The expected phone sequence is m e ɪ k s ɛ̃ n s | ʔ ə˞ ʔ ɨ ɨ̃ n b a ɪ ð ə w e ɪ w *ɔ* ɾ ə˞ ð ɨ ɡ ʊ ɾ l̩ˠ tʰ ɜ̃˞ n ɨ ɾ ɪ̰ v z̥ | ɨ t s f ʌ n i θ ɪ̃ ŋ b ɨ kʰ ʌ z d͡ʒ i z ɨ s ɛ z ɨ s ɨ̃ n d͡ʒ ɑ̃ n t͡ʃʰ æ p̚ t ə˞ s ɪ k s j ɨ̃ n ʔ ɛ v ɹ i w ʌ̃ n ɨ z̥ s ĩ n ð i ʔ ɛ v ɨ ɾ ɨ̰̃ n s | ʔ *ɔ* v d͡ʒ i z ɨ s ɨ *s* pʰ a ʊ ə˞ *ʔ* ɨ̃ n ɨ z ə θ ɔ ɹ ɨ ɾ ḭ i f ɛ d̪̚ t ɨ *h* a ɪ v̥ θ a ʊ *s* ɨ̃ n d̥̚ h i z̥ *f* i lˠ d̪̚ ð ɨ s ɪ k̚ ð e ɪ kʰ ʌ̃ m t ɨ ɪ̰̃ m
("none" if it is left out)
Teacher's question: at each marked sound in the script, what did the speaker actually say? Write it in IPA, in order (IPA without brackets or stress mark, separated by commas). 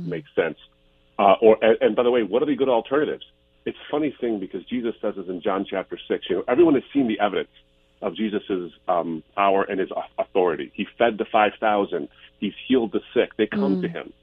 ʌ, ʌ, z, ʔ, f, z, h